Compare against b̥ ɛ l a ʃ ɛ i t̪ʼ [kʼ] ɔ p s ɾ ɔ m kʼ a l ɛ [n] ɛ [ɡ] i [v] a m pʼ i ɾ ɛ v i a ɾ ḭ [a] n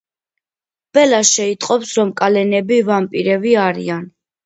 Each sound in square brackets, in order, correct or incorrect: incorrect: qʼ, correct, incorrect: b, correct, correct

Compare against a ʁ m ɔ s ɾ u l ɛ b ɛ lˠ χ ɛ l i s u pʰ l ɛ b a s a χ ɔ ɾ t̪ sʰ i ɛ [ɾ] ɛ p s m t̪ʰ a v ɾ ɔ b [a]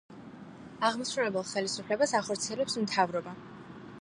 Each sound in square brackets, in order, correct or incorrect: incorrect: l, correct

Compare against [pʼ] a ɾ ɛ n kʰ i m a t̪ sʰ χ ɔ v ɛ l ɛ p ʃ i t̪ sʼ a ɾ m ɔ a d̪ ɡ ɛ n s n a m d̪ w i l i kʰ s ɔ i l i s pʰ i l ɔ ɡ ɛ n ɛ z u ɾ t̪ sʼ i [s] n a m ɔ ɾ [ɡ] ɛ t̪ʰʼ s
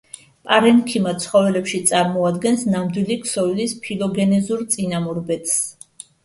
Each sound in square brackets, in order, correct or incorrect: correct, incorrect: none, incorrect: b

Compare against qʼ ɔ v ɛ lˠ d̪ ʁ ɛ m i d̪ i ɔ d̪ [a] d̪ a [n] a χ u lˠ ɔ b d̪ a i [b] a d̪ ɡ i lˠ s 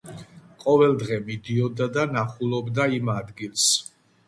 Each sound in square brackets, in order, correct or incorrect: correct, correct, incorrect: m

